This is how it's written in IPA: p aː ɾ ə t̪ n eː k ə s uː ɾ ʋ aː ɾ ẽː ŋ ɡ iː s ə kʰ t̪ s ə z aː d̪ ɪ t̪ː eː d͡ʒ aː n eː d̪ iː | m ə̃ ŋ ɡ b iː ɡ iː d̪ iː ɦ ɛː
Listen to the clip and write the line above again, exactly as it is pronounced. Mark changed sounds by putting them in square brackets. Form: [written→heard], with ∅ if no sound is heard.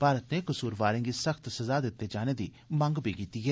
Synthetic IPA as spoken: p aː ɾ ə t̪ n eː k ə s uː ɾ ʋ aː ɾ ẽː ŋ ɡ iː s ə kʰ t̪ s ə z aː d̪ ɪ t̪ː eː d͡ʒ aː n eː d̪ iː | m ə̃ ŋ ɡ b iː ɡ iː [d̪→t̪] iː ɦ ɛː